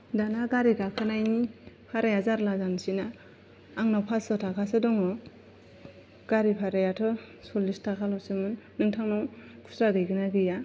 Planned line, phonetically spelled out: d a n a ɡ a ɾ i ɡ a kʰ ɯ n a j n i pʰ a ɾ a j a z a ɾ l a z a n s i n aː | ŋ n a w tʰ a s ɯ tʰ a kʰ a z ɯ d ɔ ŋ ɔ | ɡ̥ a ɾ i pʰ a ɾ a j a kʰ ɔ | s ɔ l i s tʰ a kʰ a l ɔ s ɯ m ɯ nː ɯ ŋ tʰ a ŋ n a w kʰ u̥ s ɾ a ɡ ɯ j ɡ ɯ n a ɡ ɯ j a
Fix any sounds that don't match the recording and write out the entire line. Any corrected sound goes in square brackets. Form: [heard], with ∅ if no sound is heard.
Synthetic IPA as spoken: d a n a ɡ a ɾ i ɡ a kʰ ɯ n a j n i pʰ a ɾ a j a z a ɾ l a z a n s i n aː | ŋ n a w [pʰ] a s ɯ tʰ a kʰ a [s] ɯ d ɔ ŋ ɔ | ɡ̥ a ɾ i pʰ a ɾ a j a [tʰ] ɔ | s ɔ l i s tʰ a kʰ a l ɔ s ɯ m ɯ nː ɯ ŋ tʰ a ŋ n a w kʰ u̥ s ɾ a ɡ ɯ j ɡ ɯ n a ɡ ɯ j a